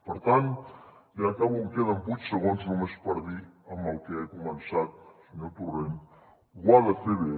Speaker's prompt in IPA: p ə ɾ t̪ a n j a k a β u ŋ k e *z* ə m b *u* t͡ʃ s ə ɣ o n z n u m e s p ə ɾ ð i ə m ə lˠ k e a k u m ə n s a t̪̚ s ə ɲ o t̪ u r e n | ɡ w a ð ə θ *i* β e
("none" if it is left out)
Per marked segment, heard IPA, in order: ð, u, e

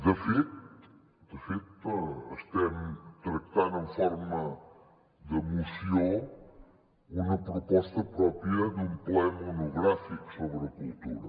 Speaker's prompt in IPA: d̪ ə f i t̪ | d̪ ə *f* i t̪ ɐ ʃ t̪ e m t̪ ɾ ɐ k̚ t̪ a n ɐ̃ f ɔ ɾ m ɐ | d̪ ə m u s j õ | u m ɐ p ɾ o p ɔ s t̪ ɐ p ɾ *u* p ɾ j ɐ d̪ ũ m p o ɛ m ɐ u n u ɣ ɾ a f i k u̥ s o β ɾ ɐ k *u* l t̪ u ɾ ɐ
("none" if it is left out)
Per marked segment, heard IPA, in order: f, ɔ, u

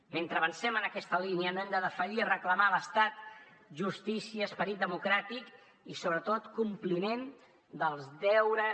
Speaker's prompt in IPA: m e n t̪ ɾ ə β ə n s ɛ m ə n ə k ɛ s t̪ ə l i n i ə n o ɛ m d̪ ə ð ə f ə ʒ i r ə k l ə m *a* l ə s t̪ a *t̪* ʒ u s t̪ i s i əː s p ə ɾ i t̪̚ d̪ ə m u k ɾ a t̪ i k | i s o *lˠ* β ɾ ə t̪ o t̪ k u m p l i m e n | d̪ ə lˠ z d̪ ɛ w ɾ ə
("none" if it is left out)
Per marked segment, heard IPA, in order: a, t̪, none

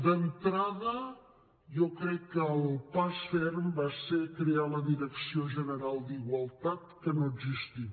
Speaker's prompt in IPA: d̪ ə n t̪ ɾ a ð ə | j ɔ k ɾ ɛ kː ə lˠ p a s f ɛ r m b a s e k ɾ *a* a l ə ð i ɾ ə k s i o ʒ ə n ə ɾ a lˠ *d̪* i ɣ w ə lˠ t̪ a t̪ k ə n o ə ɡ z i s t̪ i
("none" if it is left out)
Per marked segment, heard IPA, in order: e, d̪

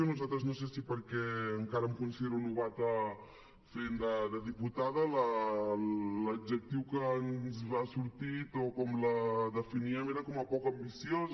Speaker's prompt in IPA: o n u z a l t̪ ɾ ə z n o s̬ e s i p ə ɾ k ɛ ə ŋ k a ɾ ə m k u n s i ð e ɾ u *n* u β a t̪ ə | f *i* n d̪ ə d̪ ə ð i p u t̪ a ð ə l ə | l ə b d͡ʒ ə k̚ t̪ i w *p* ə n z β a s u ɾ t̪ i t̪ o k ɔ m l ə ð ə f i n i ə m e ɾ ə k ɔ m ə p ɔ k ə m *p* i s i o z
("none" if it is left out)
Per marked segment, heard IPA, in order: n, e, k, b

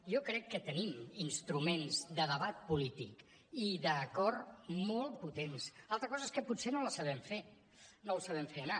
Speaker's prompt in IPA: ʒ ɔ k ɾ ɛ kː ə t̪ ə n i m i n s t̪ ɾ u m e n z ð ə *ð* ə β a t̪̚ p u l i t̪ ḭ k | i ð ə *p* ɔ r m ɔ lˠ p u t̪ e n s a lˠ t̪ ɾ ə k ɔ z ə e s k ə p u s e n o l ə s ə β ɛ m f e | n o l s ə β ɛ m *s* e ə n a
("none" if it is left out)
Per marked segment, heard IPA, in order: ð, k, f

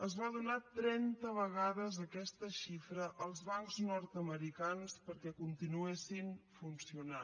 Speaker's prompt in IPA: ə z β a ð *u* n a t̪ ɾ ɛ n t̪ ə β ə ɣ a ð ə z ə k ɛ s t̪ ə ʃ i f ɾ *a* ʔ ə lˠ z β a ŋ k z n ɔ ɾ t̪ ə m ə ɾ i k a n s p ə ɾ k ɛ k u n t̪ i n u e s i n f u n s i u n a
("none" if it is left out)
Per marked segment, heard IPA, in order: u, ə

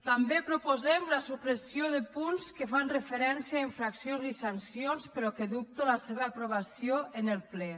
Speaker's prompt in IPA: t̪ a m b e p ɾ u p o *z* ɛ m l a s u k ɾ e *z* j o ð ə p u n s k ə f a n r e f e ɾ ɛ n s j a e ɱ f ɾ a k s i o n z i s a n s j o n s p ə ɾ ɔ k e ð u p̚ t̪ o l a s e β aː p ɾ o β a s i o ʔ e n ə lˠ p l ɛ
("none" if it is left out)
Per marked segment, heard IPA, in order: z, s

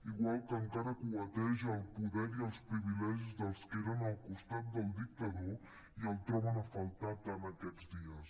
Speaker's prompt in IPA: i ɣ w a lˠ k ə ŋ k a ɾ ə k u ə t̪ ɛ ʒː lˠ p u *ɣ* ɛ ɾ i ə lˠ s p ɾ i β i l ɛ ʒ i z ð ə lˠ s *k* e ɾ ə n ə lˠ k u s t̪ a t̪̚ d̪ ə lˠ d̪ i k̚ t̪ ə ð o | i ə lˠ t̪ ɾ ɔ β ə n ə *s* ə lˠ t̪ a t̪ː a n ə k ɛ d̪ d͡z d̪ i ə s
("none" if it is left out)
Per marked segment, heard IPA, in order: ð, k, f

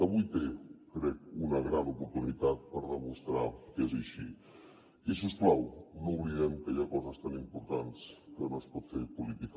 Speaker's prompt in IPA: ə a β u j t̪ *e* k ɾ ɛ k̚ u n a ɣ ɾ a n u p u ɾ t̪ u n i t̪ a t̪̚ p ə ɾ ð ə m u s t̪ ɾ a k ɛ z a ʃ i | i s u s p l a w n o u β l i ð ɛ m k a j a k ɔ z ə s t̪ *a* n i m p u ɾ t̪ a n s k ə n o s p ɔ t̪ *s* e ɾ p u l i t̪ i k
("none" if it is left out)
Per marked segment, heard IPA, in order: e, a, f

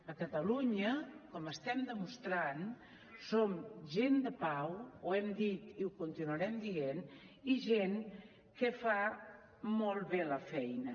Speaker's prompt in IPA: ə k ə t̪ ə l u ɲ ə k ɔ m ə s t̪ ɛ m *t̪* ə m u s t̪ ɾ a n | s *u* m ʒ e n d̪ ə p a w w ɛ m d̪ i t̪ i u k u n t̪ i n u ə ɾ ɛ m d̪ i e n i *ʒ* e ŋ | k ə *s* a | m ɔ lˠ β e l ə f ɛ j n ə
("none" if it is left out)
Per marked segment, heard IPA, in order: d̪, o, ʒ, f

